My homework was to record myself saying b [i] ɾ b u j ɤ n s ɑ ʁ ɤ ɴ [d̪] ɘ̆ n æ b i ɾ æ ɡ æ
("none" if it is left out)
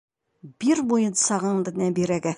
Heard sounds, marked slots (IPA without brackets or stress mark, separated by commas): i, d̪